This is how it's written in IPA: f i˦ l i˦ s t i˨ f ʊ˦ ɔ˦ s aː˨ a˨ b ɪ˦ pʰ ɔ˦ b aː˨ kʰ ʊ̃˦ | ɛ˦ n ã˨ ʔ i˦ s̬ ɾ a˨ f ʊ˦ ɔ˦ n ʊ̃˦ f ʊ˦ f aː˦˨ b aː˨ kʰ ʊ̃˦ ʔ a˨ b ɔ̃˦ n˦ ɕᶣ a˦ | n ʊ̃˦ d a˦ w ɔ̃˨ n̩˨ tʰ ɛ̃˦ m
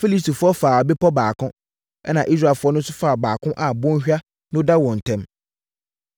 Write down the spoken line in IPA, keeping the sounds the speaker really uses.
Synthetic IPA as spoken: f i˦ l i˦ s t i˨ f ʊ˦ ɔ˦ f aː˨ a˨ b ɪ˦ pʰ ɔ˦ b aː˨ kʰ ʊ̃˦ | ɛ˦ n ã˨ ʔ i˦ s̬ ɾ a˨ f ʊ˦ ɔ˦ n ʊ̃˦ s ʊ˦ f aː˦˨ b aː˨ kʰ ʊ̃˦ ʔ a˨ b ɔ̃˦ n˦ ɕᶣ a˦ | n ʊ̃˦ d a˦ w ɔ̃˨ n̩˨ tʰ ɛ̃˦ m